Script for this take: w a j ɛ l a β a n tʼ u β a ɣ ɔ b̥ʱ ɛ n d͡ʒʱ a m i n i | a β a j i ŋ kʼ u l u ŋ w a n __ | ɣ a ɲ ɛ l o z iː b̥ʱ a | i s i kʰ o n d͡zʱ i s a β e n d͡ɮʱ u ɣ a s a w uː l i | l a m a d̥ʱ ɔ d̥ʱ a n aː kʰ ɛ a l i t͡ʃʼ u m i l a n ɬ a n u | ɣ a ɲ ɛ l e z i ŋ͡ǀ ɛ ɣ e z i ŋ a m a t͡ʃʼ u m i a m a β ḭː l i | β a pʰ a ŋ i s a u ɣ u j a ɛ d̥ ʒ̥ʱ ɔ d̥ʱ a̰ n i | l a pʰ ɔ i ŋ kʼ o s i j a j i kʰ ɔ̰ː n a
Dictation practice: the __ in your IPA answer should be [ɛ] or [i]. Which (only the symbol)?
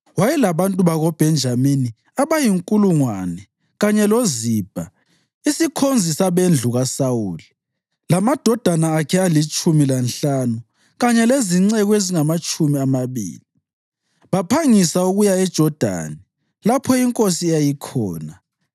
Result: ɛ